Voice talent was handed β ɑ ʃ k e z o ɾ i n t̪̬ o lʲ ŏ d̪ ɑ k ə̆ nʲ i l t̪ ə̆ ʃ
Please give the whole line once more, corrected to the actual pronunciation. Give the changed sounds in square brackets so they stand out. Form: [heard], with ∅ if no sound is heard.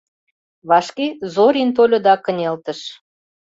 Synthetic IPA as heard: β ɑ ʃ k e z o ɾ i n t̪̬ o lʲ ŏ d̪ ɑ k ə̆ nʲ [e] l t̪ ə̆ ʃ